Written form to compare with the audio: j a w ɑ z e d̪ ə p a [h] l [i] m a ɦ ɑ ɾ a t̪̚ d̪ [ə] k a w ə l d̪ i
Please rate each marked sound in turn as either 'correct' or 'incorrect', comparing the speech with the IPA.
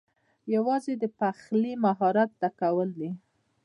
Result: incorrect, correct, incorrect

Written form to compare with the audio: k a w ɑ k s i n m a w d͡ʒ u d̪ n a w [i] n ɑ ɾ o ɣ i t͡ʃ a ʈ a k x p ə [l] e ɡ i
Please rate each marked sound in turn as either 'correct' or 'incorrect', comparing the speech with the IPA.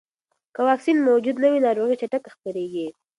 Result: correct, incorrect

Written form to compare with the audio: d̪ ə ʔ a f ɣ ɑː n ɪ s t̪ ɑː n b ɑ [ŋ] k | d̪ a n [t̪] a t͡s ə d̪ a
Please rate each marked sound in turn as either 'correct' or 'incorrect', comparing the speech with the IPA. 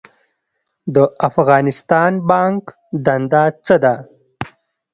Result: correct, incorrect

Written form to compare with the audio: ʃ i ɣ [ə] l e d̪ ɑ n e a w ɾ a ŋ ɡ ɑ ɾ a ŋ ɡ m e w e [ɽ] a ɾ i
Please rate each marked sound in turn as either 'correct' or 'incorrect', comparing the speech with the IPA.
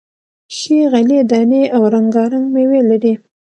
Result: incorrect, incorrect

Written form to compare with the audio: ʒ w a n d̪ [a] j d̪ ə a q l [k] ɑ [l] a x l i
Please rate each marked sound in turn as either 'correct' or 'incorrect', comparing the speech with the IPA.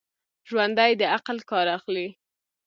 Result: correct, correct, incorrect

